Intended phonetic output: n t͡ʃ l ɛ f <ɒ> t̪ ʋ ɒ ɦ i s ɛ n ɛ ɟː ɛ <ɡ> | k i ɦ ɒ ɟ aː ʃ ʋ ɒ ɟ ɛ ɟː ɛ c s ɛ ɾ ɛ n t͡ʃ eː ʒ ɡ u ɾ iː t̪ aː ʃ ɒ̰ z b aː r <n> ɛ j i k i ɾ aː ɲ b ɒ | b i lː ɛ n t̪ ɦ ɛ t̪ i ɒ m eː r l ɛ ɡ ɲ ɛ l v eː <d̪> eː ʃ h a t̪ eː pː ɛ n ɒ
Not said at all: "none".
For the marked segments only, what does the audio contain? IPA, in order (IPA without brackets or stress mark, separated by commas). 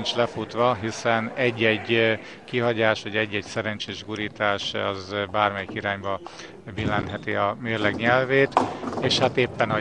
u, ɟ, m, t̪